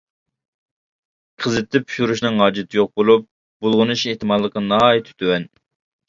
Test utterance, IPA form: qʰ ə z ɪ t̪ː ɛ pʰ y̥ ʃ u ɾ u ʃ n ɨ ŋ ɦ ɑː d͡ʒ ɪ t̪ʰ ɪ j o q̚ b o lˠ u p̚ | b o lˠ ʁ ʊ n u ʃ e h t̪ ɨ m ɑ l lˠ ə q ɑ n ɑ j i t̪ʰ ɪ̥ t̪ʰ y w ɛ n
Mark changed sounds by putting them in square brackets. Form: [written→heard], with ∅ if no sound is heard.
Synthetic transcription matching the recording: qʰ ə z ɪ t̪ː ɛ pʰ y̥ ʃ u ɾ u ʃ n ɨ ŋ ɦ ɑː d͡ʒ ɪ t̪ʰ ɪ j o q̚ b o lˠ u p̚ | b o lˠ ʁ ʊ n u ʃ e h t̪ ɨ m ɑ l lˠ ə q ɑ n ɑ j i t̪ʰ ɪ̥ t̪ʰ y w ɛ n